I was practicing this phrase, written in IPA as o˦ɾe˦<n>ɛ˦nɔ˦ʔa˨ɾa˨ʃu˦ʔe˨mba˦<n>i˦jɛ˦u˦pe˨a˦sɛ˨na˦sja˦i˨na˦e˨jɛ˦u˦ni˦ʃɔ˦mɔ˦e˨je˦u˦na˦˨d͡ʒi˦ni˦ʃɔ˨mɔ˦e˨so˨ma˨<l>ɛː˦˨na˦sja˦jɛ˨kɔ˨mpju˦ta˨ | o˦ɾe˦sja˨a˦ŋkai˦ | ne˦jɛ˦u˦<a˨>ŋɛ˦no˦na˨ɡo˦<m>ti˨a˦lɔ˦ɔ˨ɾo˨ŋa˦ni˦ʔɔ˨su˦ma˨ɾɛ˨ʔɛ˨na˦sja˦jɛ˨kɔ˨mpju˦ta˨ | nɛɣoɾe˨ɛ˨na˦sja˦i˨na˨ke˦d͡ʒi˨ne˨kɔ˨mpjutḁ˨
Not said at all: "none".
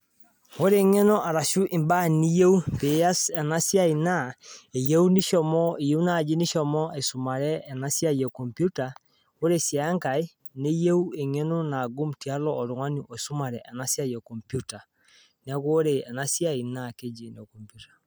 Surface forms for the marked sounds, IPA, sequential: ŋ, n, ɾ, e˨, m

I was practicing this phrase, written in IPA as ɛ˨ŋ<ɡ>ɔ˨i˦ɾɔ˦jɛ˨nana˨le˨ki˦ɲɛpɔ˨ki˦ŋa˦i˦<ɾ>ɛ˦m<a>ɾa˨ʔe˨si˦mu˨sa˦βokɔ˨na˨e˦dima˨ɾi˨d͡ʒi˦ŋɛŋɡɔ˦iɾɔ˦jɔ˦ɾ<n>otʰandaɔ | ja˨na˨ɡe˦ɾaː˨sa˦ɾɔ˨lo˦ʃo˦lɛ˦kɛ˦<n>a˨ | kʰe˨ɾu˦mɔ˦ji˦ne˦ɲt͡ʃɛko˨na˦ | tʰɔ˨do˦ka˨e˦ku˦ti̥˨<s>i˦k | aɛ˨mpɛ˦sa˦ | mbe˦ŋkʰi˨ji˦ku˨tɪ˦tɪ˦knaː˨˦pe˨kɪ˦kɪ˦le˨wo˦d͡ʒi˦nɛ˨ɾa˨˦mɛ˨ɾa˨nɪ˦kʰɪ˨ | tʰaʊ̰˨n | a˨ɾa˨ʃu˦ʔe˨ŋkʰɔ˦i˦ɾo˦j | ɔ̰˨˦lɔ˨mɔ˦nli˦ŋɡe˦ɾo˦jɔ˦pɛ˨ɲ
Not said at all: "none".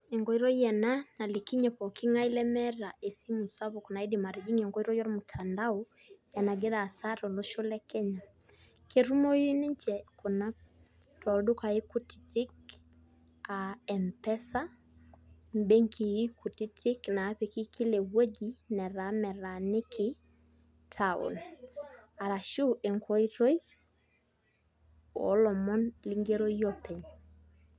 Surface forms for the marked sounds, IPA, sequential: ɡ, l, ɛ, m, ɲ, t

